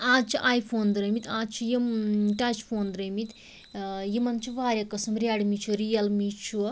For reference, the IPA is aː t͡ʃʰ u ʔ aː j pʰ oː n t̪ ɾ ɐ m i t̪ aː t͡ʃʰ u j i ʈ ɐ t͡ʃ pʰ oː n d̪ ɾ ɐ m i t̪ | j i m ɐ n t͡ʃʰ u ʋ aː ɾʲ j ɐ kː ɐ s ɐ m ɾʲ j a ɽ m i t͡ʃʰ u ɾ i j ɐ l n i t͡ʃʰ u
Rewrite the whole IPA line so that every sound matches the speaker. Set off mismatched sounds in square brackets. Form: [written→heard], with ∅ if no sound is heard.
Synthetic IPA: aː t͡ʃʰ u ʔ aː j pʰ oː n [t̪→d̪] ɾ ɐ m i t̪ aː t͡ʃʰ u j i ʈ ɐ t͡ʃ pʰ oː n d̪ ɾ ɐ m i t̪ | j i m ɐ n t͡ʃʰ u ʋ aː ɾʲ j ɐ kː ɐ s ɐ m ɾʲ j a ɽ m i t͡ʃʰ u ɾ i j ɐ l [n→m] i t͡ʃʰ u